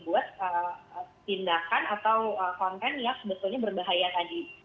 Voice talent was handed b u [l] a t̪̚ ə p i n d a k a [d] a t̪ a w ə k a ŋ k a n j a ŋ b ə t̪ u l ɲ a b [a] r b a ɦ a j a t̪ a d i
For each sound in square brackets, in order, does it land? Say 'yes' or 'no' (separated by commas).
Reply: no, no, no